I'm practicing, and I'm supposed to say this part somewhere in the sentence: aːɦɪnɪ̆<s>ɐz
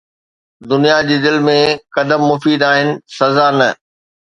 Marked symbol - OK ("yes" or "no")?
yes